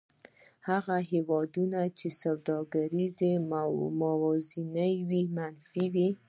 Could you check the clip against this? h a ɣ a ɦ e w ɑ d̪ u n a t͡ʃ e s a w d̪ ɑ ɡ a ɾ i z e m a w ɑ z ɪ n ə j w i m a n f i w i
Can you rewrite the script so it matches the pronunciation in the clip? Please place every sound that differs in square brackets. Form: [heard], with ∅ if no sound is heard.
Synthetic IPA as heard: h a ɣ a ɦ e w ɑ d̪ u n a t͡ʃ e s a w d̪ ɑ ɡ a ɾ i z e m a w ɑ z [i] n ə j w i m a n f i w i